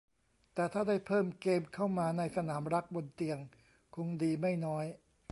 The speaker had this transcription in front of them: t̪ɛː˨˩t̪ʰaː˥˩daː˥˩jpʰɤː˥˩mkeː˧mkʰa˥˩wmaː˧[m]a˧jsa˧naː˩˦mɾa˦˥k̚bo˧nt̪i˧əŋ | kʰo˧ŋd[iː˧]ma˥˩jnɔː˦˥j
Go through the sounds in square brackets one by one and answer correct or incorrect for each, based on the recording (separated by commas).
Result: incorrect, correct